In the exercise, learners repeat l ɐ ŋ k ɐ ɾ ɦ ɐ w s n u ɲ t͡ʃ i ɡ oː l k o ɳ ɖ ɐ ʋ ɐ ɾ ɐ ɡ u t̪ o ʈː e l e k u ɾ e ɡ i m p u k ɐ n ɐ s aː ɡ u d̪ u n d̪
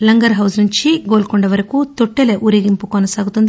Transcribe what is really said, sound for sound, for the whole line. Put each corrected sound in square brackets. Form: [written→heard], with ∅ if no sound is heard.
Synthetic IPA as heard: l ɐ ŋ [k→ɡ] ɐ ɾ ɦ ɐ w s n u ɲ t͡ʃ i ɡ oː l k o ɳ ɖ ɐ ʋ ɐ ɾ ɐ [ɡ→k] u t̪ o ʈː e l e [k→ʔ] u ɾ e ɡ i m p u k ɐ n ɐ s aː ɡ u [d̪→t̪] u n d̪

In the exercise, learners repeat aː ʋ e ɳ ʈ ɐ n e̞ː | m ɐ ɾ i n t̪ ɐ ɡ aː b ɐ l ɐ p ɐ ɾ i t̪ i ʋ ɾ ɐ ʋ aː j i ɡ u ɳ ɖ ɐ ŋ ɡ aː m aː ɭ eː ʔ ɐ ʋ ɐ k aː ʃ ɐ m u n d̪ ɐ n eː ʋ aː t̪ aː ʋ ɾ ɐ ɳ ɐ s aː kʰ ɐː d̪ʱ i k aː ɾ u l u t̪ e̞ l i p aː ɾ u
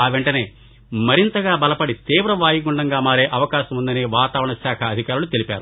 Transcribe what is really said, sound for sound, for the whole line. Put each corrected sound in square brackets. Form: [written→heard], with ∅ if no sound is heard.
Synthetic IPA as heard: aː ʋ e ɳ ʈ ɐ n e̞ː | m ɐ ɾ i n t̪ ɐ ɡ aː b ɐ l ɐ p ɐ [ɾ→ɽ] i t̪ [i→iː] ʋ ɾ ɐ ʋ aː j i ɡ u ɳ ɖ ɐ ŋ ɡ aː m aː [ɭ→ɾ] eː ʔ ɐ ʋ ɐ k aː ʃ ɐ m u n d̪ ɐ n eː ʋ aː t̪ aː ʋ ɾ ɐ ɳ ɐ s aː kʰ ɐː d̪ʱ i k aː ɾ u l u t̪ e̞ l i p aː ɾ u

